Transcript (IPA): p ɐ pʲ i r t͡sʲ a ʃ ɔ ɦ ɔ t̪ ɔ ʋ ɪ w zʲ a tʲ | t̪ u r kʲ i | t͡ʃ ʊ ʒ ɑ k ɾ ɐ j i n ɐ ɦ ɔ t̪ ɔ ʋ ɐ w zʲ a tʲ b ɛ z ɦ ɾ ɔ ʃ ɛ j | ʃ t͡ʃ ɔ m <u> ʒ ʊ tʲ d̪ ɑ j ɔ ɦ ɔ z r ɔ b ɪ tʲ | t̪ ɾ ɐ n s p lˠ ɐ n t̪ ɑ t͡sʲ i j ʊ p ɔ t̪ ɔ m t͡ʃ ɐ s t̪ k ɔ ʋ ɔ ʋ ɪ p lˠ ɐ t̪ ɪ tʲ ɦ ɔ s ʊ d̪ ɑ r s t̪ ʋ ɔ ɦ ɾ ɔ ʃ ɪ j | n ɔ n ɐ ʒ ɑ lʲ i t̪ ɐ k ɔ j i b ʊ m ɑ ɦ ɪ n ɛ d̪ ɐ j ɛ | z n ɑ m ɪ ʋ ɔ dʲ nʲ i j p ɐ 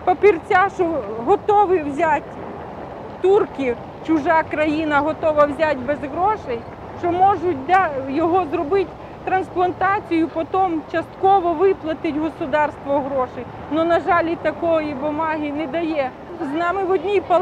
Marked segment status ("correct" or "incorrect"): incorrect